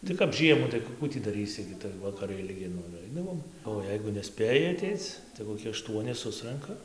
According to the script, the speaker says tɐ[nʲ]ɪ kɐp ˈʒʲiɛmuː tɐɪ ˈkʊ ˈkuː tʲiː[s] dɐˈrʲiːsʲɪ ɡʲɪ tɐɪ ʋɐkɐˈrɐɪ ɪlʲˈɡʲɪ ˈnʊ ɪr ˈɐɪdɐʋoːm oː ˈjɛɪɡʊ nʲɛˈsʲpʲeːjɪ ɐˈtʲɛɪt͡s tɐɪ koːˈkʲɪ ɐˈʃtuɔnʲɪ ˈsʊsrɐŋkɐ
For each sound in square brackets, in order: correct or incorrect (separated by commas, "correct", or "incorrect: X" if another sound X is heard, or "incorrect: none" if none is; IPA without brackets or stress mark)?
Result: incorrect: none, incorrect: none